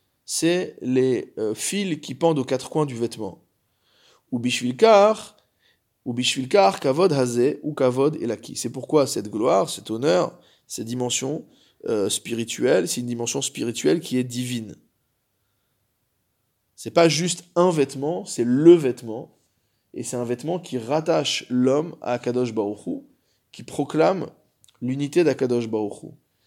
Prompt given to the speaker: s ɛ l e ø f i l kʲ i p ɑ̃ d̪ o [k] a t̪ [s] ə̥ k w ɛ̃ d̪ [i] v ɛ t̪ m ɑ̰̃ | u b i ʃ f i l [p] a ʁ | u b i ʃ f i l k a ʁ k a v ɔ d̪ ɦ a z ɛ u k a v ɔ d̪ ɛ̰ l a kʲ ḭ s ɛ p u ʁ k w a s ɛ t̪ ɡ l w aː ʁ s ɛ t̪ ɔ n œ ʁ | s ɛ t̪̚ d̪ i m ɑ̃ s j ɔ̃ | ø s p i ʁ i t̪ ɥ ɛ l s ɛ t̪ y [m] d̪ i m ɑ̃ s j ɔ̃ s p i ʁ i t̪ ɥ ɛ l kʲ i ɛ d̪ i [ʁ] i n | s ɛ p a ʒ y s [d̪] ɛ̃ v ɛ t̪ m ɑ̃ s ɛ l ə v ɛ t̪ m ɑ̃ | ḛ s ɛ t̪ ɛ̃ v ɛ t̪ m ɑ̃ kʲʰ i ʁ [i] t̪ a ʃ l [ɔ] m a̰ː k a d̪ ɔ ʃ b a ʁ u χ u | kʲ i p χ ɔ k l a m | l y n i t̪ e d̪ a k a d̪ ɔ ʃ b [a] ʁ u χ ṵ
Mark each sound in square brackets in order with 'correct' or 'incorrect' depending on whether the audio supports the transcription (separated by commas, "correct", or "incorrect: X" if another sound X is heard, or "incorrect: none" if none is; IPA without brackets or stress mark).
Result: correct, incorrect: χ, incorrect: y, incorrect: k, incorrect: n, incorrect: v, incorrect: t̪, incorrect: a, correct, correct